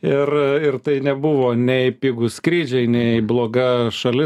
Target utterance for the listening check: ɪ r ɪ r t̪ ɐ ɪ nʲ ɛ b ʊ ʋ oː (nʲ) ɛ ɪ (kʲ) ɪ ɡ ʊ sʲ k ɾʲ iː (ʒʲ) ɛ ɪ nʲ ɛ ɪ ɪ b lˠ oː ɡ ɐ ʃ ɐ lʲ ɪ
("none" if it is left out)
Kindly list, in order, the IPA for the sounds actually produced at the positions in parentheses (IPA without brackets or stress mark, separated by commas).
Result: nʲ, pʲ, d͡ʒʲ